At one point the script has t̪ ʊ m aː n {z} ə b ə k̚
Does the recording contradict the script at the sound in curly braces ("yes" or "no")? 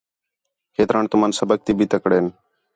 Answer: yes